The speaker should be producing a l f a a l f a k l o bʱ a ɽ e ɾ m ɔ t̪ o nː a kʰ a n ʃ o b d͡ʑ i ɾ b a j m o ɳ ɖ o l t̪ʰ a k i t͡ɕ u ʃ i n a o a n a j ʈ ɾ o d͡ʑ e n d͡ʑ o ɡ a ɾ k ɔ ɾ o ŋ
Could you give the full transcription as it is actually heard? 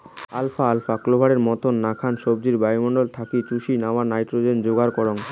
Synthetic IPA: a l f a a l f a k l o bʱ a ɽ e ɾ m ɔ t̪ o nː a kʰ a n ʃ o b d͡ʑ i ɾ b a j m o ɳ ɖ o l t̪ʰ a k i t͡ɕ u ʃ i n a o a n a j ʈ ɾ o d͡ʑ e n d͡ʑ o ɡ a ɾ k ɔ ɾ o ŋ